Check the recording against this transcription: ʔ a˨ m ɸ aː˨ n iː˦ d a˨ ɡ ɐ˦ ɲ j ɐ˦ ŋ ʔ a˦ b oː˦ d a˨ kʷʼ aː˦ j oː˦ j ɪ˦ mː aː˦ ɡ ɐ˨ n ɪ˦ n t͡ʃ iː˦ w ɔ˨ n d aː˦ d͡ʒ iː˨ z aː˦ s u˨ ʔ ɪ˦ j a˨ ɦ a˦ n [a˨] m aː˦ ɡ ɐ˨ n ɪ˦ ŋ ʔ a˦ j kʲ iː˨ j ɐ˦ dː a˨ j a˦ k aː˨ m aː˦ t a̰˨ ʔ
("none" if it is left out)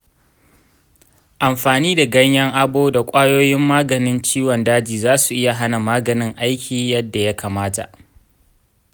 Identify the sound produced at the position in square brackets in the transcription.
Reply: a˨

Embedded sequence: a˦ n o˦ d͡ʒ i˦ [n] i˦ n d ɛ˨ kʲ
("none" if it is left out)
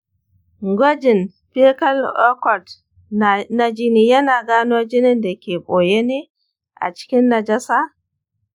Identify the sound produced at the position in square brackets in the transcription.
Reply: n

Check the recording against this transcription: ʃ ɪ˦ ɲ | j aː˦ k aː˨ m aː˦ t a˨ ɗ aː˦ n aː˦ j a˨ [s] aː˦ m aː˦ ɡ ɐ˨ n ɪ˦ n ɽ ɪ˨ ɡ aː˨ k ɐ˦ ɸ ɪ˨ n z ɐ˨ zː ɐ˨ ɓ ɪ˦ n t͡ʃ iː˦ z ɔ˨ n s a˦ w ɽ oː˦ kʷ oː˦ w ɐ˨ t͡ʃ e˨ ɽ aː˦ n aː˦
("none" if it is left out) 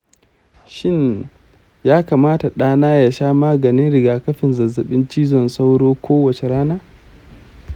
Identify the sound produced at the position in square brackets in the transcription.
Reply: ʃ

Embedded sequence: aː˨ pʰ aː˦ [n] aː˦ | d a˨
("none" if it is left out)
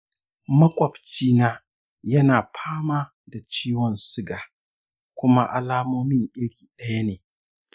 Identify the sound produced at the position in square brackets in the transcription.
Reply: m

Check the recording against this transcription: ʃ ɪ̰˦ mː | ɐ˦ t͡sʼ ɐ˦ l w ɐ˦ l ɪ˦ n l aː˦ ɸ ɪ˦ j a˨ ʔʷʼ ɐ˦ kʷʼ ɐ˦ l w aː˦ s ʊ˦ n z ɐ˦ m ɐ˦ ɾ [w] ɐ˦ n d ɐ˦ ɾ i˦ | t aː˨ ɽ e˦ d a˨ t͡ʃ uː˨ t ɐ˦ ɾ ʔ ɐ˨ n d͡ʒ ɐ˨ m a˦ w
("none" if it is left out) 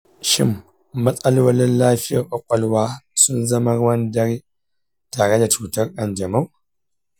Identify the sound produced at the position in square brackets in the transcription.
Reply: w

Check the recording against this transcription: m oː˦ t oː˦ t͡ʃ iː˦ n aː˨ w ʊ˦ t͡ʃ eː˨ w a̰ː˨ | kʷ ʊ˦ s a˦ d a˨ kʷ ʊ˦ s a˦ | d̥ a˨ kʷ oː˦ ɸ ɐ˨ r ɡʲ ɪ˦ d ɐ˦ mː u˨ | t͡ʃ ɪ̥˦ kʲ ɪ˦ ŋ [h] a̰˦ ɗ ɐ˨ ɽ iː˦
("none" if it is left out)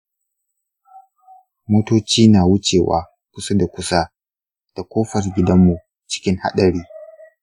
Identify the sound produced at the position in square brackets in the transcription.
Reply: h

